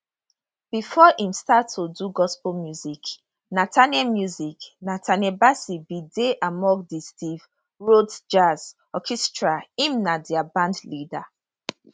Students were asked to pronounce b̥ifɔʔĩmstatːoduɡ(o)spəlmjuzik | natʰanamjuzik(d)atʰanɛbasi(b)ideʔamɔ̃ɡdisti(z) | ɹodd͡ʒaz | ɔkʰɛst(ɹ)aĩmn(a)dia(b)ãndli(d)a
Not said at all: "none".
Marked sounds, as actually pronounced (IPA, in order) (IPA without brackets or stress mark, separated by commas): ɔ, n, b, v, ɹ, a, b, d